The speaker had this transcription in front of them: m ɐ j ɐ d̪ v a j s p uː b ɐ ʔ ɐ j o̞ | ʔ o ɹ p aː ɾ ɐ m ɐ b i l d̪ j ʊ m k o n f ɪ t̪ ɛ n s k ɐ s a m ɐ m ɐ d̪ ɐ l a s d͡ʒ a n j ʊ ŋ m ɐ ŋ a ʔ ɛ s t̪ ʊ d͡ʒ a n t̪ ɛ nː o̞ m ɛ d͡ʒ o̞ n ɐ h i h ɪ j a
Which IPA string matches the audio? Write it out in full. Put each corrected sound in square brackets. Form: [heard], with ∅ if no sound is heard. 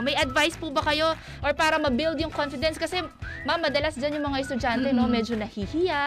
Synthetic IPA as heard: m ɐ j ɐ d̪ v a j s p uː b ɐ [k] ɐ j o̞ | ʔ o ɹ p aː ɾ ɐ m ɐ b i l d̪ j ʊ [ŋ] k o n f ɪ [d̪] ɛ n s k ɐ s [ɛ] m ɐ m ɐ d̪ ɐ l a s d͡ʒ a n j ʊ ŋ m ɐ ŋ a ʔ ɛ s t̪ ʊ d͡ʒ a n t̪ ɛ [n] o̞ m ɛ d͡ʒ o̞ n ɐ h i h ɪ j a